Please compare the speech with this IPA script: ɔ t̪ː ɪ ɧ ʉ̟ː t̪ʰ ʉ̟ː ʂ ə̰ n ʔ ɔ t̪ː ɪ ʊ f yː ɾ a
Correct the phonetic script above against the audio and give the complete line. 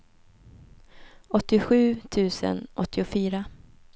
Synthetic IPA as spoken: ɔ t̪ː ɪ ɧ ʉ̟ː t̪ʰ ʉ̟ː s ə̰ n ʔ ɔ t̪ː ɪ ʊ f yː ɾ a